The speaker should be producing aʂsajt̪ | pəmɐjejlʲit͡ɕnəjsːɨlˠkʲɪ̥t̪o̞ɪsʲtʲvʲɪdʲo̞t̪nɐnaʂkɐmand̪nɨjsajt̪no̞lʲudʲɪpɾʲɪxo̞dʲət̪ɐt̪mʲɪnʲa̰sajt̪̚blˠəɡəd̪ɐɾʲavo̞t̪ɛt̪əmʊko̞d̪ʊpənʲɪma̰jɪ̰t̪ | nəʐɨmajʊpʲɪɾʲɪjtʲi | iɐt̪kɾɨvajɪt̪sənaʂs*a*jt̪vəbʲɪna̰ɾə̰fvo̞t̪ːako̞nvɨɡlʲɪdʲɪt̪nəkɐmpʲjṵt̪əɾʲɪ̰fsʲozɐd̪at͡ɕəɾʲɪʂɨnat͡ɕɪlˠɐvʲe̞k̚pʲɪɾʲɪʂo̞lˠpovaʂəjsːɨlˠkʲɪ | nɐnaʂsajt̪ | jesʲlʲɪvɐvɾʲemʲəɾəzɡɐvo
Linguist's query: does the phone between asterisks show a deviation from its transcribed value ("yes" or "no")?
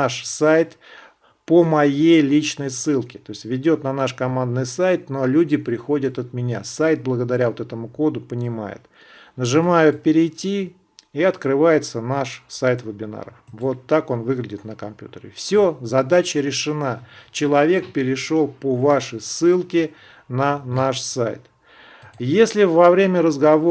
no